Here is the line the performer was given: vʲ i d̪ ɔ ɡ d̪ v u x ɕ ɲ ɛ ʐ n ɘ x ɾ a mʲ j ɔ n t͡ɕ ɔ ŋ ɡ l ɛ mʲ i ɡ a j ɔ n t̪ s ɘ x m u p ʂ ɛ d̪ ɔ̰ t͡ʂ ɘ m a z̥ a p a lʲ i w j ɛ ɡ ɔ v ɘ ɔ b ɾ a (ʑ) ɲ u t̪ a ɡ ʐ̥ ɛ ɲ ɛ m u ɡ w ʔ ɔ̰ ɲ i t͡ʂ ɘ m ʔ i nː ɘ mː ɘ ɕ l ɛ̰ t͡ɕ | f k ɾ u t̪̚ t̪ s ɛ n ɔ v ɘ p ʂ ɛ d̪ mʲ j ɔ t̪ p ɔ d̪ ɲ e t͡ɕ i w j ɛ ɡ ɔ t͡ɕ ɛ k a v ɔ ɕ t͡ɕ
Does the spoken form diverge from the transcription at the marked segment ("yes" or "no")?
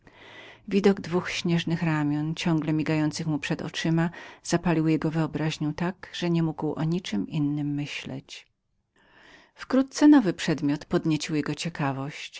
no